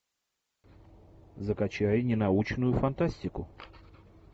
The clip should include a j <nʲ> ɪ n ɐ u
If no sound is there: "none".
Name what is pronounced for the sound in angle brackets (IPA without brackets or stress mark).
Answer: nʲ